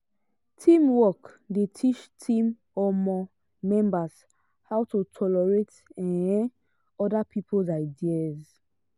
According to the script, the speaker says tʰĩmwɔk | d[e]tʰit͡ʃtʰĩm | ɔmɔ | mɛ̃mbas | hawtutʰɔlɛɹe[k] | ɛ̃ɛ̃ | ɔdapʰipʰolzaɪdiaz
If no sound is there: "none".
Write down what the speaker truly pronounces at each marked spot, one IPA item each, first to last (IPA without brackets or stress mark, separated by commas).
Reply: e, t